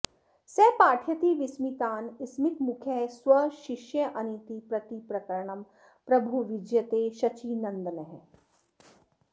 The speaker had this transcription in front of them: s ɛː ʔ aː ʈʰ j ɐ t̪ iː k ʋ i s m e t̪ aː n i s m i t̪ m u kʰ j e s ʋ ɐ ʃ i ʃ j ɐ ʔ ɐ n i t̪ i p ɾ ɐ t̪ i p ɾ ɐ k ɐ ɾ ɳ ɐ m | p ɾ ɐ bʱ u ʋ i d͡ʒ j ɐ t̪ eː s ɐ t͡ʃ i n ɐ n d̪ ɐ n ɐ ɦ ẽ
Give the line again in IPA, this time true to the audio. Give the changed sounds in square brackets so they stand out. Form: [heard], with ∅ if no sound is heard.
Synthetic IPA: s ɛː [p] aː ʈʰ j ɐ t̪ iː [∅] ʋ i s m [i] t̪ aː n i s m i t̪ m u kʰ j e s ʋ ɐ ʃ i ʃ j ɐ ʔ ɐ n i t̪ i p ɾ ɐ t̪ i p ɾ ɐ k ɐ ɾ ɳ ɐ m | p ɾ ɐ bʱ u ʋ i d͡ʒ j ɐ t̪ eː [ʃ] ɐ t͡ʃ i n ɐ n d̪ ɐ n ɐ ɦ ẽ